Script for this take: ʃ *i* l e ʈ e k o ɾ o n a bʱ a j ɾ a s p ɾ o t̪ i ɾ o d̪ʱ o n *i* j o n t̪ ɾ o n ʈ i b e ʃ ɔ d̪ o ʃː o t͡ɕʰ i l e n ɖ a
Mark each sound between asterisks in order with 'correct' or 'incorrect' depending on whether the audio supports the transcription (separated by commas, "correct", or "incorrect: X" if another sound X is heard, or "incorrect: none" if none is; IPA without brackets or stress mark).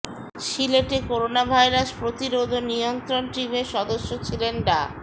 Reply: correct, correct